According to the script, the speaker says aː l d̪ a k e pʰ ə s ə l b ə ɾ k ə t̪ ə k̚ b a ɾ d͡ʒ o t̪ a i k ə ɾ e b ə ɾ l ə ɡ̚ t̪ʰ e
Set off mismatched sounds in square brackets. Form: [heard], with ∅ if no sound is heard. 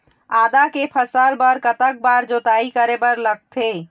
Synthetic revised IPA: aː [∅] d̪ a k e pʰ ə s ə l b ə ɾ k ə t̪ ə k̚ b a ɾ d͡ʒ o t̪ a i k ə ɾ e b ə ɾ l ə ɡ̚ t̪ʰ e